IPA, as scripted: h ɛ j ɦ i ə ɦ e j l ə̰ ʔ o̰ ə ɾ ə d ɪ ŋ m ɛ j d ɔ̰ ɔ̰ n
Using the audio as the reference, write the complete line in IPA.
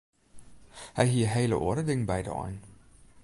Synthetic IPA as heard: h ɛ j ɦ i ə ɦ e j l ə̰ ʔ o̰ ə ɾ ə d ɪ ŋ b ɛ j d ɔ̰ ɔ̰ n